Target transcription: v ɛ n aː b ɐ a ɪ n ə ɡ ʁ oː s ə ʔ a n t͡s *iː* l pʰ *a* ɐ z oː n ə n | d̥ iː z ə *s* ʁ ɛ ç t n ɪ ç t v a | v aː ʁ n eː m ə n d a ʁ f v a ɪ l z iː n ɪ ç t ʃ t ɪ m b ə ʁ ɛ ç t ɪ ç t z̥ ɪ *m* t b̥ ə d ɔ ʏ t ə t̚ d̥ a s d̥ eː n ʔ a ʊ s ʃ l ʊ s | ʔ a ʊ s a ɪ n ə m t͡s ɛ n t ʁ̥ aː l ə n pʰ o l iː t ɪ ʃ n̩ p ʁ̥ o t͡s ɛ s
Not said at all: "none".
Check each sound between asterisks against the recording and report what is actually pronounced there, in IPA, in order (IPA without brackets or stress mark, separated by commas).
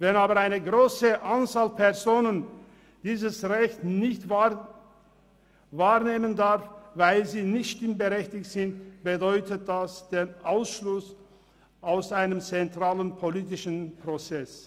aː, ɛ, s, n